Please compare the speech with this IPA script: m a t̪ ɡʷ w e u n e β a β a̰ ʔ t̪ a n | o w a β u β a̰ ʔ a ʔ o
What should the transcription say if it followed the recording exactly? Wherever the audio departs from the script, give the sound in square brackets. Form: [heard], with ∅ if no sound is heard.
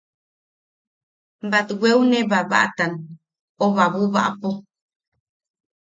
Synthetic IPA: [b] a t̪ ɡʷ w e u n e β a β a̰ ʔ t̪ a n | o [β] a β u β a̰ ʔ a [p] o